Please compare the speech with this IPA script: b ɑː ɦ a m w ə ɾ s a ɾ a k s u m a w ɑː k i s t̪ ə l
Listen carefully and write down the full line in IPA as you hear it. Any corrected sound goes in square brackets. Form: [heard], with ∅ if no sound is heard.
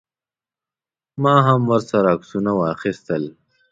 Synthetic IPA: [m] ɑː ɦ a m w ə ɾ s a ɾ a k s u [n] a w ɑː [x] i s t̪ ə l